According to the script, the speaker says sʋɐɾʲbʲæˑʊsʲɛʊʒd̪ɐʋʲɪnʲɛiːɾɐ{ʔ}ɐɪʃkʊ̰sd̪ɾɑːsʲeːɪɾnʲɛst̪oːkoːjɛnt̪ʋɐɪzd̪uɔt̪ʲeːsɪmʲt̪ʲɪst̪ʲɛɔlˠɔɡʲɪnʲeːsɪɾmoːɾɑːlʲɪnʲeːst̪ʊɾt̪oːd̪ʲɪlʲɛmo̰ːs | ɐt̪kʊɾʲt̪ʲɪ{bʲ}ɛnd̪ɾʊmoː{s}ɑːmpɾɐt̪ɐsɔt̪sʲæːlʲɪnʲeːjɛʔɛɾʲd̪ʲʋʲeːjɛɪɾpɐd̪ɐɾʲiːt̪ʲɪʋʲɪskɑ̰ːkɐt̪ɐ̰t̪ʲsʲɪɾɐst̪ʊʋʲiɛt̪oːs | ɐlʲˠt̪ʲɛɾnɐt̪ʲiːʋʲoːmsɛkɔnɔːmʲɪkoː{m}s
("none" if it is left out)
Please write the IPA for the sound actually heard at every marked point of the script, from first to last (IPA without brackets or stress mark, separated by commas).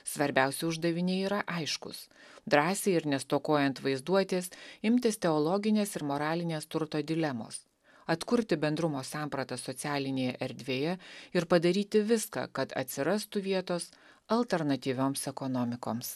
ʔ, bʲ, s, m